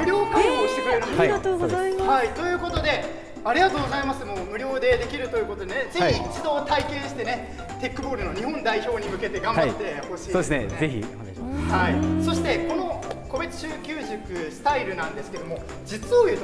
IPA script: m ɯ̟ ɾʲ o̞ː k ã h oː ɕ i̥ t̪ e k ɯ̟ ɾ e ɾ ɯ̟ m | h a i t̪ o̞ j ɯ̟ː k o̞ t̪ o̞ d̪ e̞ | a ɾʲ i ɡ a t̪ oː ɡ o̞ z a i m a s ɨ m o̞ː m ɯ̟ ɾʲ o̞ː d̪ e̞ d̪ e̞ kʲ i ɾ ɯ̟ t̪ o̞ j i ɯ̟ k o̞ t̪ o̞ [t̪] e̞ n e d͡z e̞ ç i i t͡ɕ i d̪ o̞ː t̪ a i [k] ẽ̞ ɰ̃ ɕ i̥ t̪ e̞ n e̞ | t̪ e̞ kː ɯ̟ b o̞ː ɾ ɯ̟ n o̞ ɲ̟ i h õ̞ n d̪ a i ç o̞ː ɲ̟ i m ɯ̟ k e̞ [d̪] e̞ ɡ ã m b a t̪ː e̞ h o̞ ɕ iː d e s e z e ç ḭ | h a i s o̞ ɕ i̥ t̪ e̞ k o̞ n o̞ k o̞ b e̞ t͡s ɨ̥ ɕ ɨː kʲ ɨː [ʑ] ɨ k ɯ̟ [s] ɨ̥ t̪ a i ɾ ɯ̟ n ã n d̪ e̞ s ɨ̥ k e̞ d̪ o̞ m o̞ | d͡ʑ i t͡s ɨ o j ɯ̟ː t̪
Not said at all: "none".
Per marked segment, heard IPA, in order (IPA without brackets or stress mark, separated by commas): d̪, k, t̪, ʑ, s